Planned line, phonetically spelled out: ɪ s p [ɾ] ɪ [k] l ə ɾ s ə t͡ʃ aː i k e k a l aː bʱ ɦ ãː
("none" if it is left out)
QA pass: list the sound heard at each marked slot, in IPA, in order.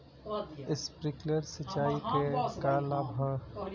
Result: ɾ, k

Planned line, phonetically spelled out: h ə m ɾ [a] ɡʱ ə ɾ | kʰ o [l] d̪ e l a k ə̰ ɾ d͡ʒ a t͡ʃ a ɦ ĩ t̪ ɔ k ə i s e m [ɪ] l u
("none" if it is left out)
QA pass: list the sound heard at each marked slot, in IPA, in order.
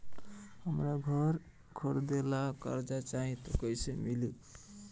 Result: a, ɾ, i

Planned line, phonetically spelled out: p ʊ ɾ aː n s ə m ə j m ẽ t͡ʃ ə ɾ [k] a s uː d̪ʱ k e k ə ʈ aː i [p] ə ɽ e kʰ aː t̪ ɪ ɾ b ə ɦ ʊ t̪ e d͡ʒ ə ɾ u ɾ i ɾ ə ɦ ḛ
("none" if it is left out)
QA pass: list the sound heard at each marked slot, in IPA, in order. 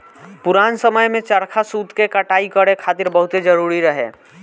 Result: kʰ, k

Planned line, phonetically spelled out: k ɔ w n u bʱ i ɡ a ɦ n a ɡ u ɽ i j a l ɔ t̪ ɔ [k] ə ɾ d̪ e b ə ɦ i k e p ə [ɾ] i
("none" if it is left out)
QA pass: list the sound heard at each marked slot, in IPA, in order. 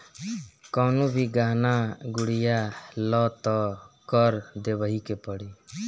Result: k, ɽ

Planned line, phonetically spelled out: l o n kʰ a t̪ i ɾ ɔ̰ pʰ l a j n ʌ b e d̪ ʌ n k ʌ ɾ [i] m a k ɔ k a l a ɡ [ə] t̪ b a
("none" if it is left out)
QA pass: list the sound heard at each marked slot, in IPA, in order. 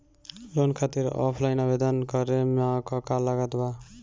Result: e, a

